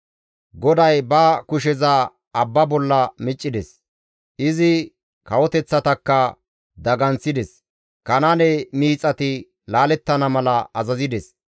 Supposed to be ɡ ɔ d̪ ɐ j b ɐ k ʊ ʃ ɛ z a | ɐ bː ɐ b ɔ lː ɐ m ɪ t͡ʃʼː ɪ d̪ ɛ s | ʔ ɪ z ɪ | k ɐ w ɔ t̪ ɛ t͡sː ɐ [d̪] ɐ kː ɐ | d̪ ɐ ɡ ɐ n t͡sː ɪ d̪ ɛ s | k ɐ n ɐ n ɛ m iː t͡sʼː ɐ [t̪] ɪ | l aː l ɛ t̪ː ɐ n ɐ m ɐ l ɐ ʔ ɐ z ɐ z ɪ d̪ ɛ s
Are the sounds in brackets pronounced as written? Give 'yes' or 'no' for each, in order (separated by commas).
no, yes